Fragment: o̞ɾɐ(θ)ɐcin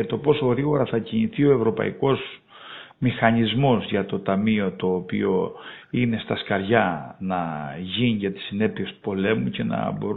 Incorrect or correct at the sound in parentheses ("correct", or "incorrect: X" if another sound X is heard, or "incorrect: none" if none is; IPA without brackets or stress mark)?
correct